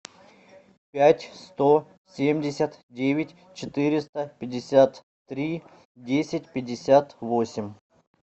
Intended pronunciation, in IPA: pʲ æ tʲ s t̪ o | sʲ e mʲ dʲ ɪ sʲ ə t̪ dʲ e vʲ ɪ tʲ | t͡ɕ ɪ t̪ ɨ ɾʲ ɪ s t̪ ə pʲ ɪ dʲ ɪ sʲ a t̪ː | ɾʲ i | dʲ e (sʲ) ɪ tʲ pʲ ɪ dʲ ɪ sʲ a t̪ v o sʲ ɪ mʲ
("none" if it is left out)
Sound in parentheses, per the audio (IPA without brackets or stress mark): sʲ